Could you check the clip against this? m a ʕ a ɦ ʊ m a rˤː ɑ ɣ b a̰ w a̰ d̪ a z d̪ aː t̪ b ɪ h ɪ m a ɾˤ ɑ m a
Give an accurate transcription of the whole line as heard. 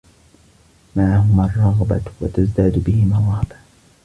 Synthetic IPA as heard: m a ʕ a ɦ ʊ m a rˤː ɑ ɣ b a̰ w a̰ t̪ a z d̪ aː d̪ b ɪ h ɪ m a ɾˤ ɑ b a